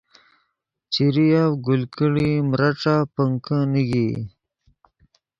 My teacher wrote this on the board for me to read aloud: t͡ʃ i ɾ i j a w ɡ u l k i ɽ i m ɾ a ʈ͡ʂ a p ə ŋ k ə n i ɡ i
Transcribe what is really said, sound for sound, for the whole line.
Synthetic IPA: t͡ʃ i ɾ i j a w ɡ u l k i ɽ i m ɾ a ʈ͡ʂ a p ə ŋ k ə n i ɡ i